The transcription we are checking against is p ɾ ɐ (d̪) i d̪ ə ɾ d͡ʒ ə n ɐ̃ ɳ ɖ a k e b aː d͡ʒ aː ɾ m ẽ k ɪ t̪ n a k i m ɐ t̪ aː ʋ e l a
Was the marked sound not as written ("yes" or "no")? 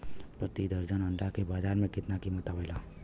yes